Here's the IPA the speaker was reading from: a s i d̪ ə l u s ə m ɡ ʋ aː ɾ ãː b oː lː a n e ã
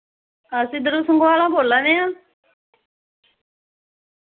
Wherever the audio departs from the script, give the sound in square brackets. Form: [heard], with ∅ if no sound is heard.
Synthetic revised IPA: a s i d̪ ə [ɾ] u s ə [ŋ] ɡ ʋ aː [l] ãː b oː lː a n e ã